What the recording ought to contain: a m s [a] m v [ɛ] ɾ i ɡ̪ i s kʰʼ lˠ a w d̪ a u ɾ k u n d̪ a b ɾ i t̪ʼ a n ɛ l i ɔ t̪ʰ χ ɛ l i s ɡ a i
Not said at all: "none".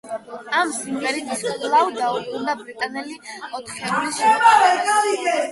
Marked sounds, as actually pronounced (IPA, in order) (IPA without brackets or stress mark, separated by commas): i, ɛ